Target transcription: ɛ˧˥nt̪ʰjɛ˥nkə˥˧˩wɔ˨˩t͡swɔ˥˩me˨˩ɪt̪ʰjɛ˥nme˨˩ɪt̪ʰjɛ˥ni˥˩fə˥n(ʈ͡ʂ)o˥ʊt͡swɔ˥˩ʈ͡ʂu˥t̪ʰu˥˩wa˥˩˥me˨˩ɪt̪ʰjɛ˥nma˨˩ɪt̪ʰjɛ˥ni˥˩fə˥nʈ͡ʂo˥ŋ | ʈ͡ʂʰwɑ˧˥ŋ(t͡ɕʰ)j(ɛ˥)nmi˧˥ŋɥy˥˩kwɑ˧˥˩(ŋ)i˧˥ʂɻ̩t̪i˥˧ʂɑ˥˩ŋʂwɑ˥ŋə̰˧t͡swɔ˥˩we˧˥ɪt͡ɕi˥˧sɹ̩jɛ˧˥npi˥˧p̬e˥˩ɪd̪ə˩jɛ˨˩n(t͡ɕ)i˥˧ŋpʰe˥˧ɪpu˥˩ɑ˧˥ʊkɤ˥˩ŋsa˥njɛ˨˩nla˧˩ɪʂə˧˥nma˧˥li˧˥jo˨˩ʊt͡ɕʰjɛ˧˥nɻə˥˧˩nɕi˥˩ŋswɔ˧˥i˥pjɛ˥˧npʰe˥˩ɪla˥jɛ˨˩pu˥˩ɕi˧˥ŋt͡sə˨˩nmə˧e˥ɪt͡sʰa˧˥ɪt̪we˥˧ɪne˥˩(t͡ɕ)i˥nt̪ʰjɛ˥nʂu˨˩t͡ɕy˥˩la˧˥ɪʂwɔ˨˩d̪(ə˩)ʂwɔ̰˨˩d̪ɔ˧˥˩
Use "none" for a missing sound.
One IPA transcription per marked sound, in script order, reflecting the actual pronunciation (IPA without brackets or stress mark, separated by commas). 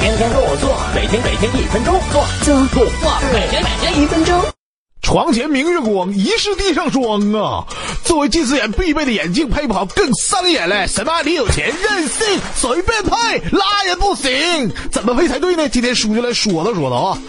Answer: ʈ͡ʂ, t͡ɕʰ, ɛ˧˥, ŋ, t͡ɕ, t͡ɕ, ə˦